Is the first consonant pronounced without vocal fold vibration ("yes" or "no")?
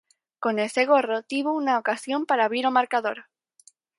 yes